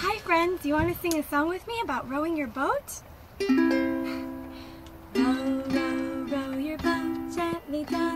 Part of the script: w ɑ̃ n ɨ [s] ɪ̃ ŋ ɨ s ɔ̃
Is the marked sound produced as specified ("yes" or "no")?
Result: yes